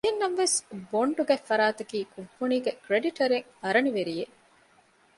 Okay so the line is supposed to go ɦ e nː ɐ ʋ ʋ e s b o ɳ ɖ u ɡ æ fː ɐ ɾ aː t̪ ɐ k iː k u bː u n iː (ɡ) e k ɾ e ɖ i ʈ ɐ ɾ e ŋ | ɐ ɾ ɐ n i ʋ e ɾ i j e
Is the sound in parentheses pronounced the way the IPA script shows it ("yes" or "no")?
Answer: yes